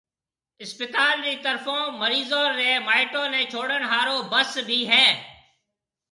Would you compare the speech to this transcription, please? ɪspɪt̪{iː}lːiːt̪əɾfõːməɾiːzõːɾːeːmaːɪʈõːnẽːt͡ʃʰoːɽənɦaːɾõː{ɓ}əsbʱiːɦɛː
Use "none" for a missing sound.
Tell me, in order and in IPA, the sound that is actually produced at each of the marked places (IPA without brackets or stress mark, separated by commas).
aː, b